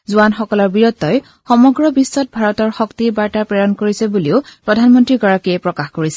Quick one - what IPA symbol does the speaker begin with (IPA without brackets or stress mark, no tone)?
z